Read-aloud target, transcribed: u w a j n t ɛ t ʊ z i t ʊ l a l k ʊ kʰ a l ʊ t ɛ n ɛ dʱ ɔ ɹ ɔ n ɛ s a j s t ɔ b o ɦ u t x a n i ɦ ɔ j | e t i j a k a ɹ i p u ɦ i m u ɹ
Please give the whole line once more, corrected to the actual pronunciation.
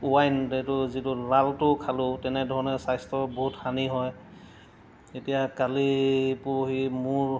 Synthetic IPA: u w a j n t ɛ t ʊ z i t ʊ l a l t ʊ kʰ a l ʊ t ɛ n ɛ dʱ ɔ ɹ ɔ n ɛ s a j s t ɔ b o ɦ u t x a n i ɦ ɔ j | e t i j a k a l i p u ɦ i m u ɹ

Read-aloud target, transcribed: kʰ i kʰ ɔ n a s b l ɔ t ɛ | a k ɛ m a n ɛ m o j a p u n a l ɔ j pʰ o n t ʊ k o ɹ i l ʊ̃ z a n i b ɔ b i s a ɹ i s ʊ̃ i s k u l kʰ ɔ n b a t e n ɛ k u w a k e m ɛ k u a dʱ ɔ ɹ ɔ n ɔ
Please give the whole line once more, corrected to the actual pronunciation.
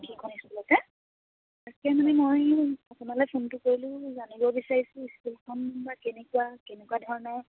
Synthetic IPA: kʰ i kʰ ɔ n i s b l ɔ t ɛ | a k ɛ m a n ɛ m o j a p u n a l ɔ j pʰ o n t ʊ k o ɹ i l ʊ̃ z a n i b ɔ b i s a ɹ i s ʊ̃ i s k u l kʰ ɔ n b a k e n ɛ k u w a k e n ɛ k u a dʱ ɔ ɹ ɔ n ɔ

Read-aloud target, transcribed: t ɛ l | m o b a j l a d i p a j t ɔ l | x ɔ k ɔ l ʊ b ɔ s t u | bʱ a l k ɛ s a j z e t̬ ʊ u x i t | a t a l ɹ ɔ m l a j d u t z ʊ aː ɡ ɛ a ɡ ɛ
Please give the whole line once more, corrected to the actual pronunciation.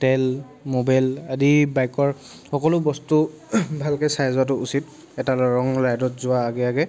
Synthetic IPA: t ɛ l | m o b a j l a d i b a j k ɔ ɹ | x ɔ k ɔ l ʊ b ɔ s t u | bʱ a l k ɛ s a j z a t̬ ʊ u s i t | ɛ t a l ɹ ɔ ŋ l a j d ɔ t z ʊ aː ɡ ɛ a ɡ ɛ

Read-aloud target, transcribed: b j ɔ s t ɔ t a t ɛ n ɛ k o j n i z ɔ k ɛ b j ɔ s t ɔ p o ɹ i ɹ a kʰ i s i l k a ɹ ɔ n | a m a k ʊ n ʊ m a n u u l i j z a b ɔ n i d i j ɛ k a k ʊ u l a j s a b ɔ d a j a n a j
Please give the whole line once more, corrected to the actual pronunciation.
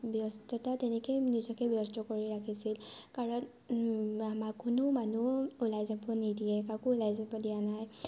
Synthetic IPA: b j ɔ s t ɔ t a t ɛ n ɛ k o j n i z ɔ k ɛ b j ɔ s t ɔ k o ɹ i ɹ a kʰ i s i l k a ɹ ɔ n | a m a k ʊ n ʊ m a n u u l a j z a b ɔ n i d i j ɛ k a k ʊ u l a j z a b ɔ d i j a n a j

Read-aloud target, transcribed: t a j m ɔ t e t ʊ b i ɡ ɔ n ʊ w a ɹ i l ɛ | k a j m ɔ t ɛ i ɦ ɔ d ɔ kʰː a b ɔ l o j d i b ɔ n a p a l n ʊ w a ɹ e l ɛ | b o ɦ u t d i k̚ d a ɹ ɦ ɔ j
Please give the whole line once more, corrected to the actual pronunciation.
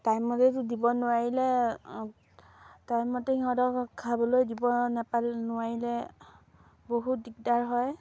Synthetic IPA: t a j m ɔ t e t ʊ d i b ɔ n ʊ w a ɹ i l ɛ | t a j m ɔ t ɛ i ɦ ɔ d ɔ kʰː a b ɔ l o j d i b ɔ n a p a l n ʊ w a ɹ i l ɛ | b o ɦ u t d i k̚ d a ɹ ɦ ɔ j

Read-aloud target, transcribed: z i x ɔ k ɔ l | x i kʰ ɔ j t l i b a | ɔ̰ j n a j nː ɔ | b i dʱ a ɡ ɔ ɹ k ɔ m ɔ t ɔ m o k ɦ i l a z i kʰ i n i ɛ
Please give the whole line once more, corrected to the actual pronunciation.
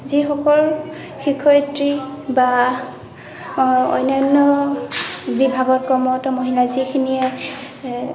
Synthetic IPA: z i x ɔ k ɔ l | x i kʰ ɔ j t ɹ i b a | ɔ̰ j n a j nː ɔ | b i bʱ a ɡ ɔ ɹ k ɔ m ɔ t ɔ m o ɦ i l a z i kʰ i n i ɛ

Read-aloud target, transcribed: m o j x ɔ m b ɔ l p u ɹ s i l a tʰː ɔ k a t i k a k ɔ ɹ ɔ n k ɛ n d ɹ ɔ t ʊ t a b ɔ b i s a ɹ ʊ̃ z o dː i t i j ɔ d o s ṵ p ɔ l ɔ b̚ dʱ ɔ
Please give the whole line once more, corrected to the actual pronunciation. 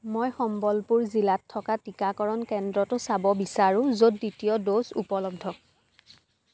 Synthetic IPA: m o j x ɔ m b ɔ l p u ɹ z i l a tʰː ɔ k a t i k a k ɔ ɹ ɔ n k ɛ n d ɹ ɔ t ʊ s a b ɔ b i s a ɹ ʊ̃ z o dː i t i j ɔ d o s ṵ p ɔ l ɔ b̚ dʱ ɔ

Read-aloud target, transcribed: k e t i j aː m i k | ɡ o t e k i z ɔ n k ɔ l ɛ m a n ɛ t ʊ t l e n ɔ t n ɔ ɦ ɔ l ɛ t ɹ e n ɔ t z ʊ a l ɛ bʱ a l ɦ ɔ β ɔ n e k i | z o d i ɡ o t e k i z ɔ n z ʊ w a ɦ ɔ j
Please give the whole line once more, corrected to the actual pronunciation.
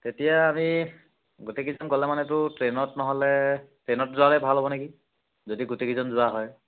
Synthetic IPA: t e t i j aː m i | ɡ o t e k i z ɔ n k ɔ l ɛ m a n ɛ t ʊ t ɹ e n ɔ t n ɔ ɦ ɔ l ɛ t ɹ e n ɔ t z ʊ a l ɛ bʱ a l ɦ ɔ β ɔ n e k i | z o d i ɡ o t e k i z ɔ n z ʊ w a ɦ ɔ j

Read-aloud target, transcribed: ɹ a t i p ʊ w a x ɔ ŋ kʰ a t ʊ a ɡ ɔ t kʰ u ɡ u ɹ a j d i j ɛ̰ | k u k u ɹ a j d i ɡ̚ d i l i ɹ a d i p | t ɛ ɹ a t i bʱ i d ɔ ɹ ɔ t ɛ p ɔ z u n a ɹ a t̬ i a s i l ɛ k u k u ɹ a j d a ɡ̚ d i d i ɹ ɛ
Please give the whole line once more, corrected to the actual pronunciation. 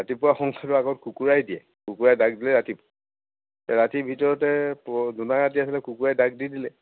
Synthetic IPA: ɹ a t i p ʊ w a x ɔ ŋ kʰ a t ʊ a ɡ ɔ t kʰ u k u ɹ a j d i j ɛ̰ | k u k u ɹ a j d a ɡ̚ d i l ɛ ɹ a t i p | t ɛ ɹ a t i bʱ i t ɔ ɹ ɔ t ɛ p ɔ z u n a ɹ a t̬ i a s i l ɛ k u k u ɹ a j d a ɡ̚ d i d i l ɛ

